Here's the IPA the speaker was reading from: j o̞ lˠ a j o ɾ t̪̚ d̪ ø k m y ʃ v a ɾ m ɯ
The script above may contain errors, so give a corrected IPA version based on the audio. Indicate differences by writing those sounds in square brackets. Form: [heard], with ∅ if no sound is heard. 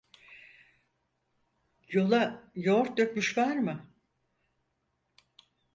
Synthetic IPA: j o̞ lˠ a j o ɾ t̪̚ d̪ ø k m y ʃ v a ɾ m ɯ